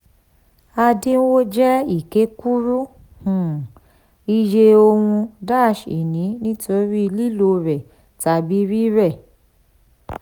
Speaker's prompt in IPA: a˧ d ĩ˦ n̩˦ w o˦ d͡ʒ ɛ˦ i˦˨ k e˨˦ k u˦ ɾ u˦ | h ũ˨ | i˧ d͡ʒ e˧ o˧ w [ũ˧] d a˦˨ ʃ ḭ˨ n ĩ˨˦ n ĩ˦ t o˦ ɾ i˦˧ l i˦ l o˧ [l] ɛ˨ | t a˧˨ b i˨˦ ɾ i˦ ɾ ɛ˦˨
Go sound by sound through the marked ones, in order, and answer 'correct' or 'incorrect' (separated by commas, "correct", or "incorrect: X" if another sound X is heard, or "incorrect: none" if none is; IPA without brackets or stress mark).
correct, incorrect: ɾ